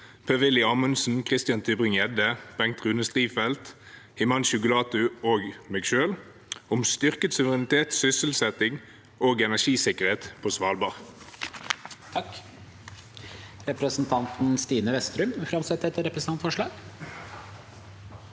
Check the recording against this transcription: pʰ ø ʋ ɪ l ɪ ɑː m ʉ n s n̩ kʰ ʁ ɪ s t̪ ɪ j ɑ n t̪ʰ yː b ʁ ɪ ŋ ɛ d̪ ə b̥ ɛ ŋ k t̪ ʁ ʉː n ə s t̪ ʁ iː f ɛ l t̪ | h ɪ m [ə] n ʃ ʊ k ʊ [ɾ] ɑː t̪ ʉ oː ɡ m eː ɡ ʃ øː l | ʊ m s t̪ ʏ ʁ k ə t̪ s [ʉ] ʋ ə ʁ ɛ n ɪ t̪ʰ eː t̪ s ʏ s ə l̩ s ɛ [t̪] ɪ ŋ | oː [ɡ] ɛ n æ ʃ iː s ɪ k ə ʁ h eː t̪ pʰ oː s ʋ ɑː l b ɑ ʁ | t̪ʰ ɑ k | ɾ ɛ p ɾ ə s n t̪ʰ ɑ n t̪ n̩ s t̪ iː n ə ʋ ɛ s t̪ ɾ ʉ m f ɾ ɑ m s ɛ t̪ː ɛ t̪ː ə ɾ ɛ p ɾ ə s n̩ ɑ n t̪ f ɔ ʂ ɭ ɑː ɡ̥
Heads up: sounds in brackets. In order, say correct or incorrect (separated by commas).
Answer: incorrect, incorrect, correct, correct, correct